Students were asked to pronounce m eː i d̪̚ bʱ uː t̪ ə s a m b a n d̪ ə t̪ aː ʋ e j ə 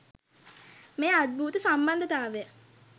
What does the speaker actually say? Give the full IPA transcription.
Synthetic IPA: m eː a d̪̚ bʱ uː t̪ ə s a m b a n d̪ ə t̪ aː ʋ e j ə